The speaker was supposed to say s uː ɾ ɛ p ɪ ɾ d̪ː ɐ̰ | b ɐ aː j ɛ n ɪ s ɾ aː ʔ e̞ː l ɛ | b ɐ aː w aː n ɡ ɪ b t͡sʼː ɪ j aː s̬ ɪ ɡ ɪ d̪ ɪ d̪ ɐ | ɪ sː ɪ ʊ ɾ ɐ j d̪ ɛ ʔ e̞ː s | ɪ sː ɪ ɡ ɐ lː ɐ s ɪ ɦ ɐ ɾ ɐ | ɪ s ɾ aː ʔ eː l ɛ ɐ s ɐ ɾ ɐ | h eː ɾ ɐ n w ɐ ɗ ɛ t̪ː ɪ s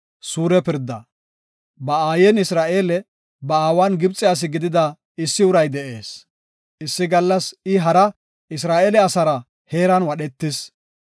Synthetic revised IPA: s uː ɾ ɛ p ɪ ɾ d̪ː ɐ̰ | b ɐ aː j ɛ n ɪ s ɾ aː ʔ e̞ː l ɛ | b ɐ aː w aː n ɡ ɪ b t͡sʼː ɪ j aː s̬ ɪ ɡ ɪ d̪ ɪ d̪ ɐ | ɪ sː ɪ ʊ ɾ ɐ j d̪ ɛ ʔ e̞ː s | ɪ sː ɪ ɡ ɐ lː ɐ s ɪ ɦ ɐ ɾ ɐ | ɪ s ɾ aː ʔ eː l ɛ ɐ s ɐ ɾ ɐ | h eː ɾ ɐ n w ɐ ɗ ɛ t̪ː ɪ s